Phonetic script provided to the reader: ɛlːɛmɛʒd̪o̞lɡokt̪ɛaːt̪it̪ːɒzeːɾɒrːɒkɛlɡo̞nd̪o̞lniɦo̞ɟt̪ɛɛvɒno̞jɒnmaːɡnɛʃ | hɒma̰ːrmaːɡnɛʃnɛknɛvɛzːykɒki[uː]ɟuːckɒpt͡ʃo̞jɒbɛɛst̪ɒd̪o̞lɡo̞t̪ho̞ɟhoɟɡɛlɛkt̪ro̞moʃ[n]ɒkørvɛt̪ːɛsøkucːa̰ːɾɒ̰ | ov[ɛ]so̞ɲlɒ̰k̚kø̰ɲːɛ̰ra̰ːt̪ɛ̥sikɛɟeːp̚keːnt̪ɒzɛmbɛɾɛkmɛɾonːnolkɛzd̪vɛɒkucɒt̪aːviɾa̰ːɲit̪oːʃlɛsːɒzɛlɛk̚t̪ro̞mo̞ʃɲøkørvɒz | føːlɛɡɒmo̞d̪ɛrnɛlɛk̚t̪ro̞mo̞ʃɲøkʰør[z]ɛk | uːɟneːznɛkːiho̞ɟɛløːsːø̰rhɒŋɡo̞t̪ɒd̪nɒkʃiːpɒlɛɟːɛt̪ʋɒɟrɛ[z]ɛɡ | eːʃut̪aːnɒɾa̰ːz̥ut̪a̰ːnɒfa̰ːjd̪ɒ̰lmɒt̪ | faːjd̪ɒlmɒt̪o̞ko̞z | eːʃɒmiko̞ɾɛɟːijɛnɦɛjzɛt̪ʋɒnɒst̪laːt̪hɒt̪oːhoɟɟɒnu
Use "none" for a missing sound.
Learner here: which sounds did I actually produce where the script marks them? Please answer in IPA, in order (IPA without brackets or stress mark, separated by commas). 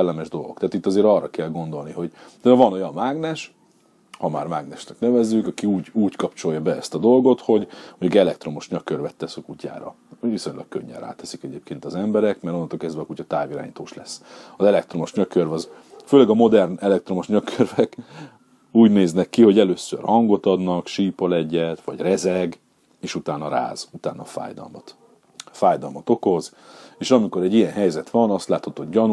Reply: uː, ɲ, i, v, z